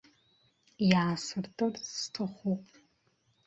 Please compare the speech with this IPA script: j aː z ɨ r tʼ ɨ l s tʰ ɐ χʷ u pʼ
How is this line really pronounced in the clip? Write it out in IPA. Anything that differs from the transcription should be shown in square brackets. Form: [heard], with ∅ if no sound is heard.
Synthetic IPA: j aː [s] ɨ r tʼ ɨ [r] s tʰ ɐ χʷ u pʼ